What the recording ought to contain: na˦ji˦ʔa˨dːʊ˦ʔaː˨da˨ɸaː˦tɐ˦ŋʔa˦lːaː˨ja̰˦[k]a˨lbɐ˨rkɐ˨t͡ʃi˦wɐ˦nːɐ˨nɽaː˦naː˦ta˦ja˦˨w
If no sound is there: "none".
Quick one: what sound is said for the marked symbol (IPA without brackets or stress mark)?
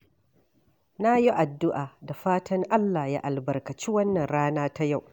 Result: ʔ